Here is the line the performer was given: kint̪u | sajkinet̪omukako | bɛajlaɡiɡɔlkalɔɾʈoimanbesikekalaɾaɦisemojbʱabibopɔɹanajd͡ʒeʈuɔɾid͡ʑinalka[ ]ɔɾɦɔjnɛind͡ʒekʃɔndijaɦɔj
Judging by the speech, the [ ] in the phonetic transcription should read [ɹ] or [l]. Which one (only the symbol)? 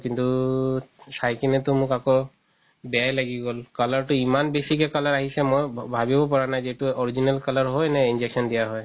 l